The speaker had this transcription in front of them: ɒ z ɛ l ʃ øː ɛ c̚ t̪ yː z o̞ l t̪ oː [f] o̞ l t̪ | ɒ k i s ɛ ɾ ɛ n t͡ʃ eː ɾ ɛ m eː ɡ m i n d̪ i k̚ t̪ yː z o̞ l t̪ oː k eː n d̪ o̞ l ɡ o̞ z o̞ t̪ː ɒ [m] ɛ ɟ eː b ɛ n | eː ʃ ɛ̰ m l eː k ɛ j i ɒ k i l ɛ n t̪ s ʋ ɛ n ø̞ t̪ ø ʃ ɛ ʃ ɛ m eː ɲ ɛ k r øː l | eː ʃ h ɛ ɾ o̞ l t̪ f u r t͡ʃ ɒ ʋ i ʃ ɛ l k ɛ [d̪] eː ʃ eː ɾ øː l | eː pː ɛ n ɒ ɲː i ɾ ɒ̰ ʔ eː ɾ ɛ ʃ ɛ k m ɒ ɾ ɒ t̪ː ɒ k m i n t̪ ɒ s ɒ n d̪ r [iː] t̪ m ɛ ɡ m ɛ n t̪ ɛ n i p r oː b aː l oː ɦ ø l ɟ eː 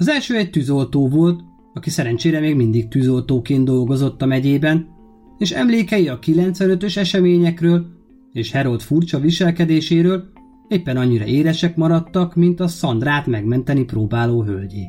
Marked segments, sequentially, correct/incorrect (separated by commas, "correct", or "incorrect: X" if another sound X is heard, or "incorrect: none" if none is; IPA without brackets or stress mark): incorrect: v, correct, correct, incorrect: aː